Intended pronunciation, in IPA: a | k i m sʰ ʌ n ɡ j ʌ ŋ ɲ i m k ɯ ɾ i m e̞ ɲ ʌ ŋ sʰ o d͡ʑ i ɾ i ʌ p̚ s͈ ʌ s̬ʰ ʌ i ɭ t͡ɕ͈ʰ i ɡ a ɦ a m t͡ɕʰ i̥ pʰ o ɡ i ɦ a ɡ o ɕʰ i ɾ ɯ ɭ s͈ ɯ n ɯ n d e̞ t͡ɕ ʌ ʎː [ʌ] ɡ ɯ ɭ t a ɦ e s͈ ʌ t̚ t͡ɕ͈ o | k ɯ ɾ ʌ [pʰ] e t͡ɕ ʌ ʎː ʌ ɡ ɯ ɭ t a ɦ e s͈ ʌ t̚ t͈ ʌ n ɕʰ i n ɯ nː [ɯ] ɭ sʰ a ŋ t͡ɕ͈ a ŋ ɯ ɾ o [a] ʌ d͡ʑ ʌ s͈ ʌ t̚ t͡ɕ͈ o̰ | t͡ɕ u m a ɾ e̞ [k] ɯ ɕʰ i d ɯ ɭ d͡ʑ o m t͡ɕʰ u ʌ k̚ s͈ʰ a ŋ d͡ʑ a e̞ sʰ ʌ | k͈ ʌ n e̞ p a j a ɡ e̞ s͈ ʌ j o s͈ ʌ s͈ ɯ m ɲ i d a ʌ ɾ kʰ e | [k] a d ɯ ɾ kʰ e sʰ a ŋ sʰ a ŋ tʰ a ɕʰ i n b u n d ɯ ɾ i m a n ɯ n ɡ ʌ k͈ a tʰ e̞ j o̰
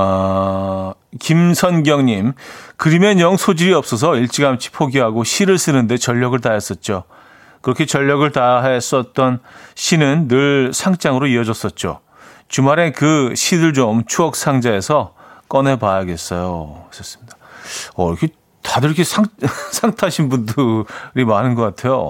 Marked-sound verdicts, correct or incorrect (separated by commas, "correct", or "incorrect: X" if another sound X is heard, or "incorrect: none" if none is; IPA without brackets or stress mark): correct, incorrect: kʰ, correct, incorrect: i, correct, incorrect: t